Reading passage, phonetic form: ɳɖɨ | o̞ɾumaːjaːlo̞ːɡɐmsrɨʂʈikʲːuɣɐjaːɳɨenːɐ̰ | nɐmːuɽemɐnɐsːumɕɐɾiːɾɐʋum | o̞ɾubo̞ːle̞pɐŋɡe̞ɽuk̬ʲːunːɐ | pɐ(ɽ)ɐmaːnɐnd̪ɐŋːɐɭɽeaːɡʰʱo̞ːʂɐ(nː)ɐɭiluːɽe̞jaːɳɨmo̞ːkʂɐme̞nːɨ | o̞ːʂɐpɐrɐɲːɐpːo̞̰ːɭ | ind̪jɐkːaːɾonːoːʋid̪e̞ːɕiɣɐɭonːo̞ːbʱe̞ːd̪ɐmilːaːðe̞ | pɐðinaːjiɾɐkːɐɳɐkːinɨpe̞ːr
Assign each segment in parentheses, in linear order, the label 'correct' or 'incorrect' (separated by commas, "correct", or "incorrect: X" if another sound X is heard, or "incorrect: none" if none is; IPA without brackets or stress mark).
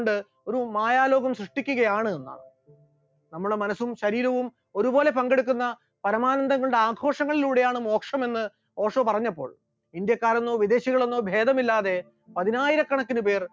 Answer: incorrect: ɾ, incorrect: ŋː